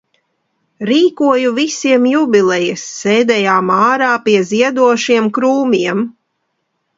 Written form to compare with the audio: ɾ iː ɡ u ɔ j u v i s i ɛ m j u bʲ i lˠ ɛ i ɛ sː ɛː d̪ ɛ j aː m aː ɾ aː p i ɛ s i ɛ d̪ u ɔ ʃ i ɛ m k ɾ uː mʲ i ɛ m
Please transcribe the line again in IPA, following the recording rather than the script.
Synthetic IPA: ɾ iː k u ɔ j u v i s i ɛ m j u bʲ i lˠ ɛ j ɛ sː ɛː d̪ ɛ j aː m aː ɾ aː p i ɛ z i ɛ d̪ u ɔ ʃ i ɛ m k ɾ uː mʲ i ɛ m